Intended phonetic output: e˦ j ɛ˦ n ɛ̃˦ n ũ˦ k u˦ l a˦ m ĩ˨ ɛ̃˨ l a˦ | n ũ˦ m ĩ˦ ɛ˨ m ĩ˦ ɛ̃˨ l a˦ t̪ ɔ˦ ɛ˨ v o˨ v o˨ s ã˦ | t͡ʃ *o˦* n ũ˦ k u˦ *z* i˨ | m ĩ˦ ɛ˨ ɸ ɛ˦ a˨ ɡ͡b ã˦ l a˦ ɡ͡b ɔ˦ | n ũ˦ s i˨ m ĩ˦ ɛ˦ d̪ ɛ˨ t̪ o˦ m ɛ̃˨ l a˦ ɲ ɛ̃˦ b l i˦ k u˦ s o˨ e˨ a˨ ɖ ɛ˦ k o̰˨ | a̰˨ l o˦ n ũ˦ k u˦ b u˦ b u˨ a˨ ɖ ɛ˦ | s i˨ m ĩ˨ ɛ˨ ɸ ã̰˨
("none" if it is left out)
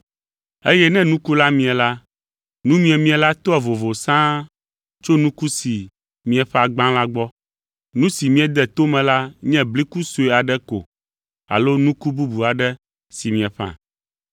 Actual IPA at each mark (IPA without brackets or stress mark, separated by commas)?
o˦, s